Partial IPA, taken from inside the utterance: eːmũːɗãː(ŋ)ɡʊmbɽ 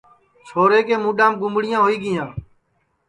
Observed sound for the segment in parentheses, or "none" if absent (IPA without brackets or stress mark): m